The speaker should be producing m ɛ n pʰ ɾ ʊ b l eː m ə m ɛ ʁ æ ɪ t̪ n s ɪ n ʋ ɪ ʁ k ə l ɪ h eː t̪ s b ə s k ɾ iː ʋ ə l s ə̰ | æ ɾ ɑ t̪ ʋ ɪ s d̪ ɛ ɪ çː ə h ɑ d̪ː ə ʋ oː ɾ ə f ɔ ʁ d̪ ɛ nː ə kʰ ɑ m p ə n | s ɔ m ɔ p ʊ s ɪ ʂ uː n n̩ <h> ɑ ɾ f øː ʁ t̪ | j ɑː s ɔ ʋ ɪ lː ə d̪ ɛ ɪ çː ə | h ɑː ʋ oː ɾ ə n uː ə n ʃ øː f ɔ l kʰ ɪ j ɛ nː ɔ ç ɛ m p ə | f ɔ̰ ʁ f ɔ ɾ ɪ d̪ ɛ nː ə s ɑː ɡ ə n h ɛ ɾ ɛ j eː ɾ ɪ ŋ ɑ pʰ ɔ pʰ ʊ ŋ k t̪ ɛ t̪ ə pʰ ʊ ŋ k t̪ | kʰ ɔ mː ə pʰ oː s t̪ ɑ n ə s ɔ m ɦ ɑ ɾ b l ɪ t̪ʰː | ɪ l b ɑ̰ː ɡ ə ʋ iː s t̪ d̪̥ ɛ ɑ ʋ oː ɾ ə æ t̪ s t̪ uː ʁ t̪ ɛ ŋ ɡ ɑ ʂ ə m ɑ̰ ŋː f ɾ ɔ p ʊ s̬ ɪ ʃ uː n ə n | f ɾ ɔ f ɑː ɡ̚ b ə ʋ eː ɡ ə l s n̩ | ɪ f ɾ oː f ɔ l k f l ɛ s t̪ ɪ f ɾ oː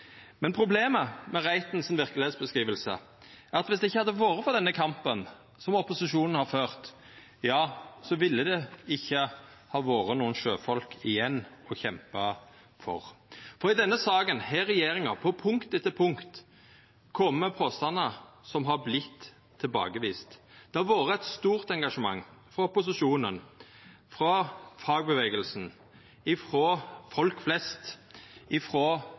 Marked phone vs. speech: correct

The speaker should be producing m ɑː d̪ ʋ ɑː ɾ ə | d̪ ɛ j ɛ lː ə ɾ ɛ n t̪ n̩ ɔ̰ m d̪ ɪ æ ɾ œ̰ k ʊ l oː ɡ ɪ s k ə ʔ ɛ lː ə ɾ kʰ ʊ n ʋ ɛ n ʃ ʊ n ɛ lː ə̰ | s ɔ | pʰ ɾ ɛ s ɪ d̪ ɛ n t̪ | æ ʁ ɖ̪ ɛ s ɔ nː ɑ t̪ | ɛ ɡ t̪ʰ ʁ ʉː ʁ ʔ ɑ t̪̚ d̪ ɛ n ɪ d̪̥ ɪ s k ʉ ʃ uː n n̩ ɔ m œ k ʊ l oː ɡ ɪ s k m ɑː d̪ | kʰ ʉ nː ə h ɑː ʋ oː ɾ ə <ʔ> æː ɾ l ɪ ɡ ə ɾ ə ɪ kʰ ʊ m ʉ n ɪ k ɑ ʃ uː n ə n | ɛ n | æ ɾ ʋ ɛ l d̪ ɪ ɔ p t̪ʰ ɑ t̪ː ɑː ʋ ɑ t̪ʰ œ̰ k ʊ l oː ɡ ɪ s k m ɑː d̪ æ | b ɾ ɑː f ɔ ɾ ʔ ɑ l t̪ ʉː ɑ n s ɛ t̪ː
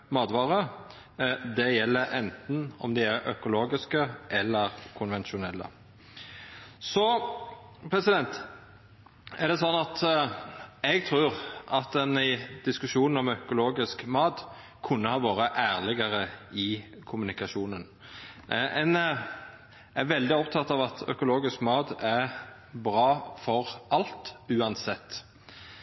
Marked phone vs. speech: correct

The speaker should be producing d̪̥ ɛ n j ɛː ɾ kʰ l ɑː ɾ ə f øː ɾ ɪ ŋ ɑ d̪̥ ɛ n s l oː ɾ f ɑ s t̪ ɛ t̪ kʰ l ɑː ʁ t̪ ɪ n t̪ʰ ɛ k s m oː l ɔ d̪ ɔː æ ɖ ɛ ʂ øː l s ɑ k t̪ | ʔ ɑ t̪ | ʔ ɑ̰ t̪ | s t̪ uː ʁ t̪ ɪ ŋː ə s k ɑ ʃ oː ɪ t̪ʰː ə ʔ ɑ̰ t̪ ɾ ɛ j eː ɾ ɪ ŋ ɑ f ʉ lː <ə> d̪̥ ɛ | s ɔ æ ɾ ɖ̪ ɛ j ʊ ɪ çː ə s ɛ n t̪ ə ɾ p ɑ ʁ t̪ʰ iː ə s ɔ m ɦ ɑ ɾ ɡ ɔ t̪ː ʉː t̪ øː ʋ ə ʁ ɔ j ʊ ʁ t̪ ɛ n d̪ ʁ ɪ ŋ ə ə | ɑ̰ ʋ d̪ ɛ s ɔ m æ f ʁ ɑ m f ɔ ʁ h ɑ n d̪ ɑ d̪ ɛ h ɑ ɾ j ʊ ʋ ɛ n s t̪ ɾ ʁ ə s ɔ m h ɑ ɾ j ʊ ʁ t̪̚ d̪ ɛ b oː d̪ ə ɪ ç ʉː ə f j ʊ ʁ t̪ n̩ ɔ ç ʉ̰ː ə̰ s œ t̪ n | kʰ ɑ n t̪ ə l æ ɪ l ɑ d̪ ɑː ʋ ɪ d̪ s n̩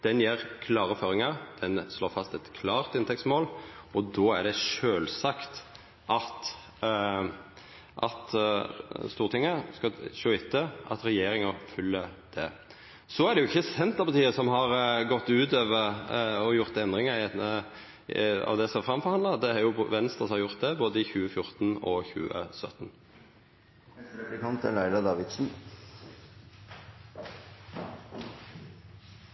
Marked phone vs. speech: correct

